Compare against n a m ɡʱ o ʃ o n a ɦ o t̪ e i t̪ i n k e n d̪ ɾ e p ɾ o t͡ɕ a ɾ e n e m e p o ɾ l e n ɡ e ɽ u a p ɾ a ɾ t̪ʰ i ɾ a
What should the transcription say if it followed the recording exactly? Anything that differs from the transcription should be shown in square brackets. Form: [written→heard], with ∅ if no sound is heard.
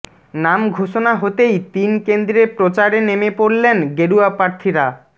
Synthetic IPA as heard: n a m ɡʱ o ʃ o n a ɦ o t̪ e [i→j] t̪ i n k e n d̪ ɾ e p ɾ o t͡ɕ a ɾ e n e m e p o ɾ l e n ɡ e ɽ u a p ɾ a ɾ t̪ʰ i ɾ a